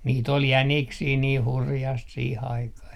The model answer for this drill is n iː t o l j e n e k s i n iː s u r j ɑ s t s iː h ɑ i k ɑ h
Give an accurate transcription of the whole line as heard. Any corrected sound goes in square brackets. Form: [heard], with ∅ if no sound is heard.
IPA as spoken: n iː t o l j [æ] n [i] k s [iː] n iː [h] u r j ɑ s t s iː h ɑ i k ɑ h